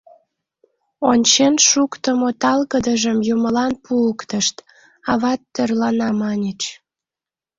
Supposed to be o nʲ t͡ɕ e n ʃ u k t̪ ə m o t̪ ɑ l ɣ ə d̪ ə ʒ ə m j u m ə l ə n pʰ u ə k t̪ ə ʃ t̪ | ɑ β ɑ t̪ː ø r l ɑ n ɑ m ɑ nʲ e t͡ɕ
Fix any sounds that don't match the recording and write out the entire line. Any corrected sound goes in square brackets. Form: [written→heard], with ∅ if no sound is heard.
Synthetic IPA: o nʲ t͡ɕ e n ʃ u k t̪ ə m o t̪ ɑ l ɣ ə d̪ ə ʒ ə m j u m ə l [ə→ɑ] n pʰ u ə k t̪ ə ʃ t̪ | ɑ β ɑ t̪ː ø r l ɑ n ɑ m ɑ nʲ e t͡ɕ